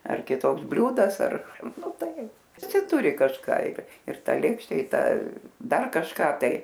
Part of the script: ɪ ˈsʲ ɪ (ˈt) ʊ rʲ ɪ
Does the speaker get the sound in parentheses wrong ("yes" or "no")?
no